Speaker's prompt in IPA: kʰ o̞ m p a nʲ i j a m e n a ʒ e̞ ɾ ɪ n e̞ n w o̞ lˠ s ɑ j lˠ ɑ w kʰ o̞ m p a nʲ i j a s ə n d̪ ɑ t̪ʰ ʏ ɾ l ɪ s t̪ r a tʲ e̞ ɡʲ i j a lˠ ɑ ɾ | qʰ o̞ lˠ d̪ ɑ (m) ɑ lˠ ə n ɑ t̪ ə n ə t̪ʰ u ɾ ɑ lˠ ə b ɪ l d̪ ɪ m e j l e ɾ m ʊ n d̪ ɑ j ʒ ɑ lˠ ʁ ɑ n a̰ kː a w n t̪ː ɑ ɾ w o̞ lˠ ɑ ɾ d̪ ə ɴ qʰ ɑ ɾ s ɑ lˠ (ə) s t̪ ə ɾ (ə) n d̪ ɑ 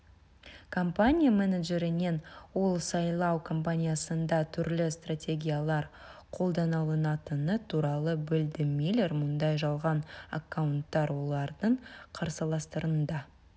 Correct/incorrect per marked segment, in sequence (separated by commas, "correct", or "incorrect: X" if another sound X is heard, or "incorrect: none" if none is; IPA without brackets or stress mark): incorrect: n, incorrect: ɑ, correct